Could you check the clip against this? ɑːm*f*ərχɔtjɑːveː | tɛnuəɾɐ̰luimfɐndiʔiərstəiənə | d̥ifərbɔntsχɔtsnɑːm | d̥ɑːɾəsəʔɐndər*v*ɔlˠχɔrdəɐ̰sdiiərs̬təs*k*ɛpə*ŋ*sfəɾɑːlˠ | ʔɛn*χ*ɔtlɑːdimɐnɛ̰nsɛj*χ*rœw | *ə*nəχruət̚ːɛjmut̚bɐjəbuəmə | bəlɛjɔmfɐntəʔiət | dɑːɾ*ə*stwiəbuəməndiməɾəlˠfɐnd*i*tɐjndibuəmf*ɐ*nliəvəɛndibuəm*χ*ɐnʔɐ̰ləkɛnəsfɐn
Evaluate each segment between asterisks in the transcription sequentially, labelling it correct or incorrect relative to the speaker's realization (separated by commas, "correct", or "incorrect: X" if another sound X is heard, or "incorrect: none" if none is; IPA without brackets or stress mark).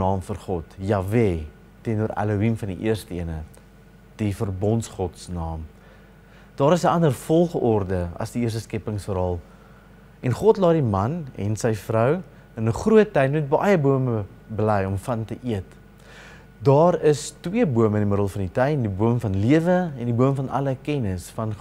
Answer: correct, incorrect: f, correct, correct, correct, incorrect: f, correct, correct, correct, correct, incorrect: f